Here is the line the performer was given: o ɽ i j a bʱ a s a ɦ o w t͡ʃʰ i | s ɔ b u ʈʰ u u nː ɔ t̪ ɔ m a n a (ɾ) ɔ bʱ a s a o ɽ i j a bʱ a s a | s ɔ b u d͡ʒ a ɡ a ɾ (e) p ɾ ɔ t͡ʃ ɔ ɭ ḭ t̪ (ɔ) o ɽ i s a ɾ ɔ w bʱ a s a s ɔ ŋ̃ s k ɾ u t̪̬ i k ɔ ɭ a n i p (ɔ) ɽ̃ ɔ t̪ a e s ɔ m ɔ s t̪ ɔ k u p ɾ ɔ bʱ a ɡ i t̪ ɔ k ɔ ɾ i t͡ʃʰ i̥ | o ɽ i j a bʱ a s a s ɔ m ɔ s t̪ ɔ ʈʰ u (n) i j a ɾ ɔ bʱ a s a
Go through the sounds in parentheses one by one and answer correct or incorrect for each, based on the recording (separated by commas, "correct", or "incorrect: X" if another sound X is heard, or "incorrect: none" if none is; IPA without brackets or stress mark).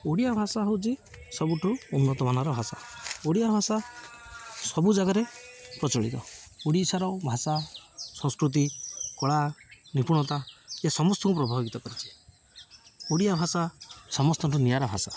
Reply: correct, correct, correct, incorrect: u, correct